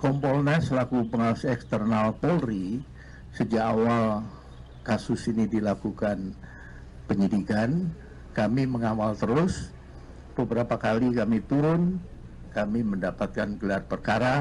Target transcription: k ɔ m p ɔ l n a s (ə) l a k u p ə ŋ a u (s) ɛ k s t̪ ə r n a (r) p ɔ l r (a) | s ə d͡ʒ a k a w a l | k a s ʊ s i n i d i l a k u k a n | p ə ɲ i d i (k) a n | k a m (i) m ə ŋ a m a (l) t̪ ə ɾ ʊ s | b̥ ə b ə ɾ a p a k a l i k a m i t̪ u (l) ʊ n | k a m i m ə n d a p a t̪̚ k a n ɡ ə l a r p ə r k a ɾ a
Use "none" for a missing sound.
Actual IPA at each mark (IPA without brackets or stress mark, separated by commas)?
ə, s, l, i, k, i, l, ɾ